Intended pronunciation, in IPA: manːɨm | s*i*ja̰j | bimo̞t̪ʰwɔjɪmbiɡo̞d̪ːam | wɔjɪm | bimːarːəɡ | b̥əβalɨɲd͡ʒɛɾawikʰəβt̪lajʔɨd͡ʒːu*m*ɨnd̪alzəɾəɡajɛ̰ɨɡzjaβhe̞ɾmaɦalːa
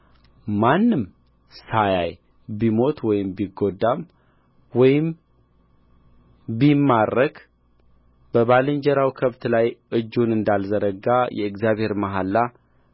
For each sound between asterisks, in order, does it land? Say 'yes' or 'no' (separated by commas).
no, no